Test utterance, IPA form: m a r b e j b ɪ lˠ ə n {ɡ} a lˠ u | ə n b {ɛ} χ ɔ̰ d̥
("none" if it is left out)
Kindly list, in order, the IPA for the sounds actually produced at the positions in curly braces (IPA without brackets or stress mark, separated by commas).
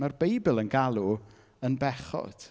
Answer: ɡ, ɛ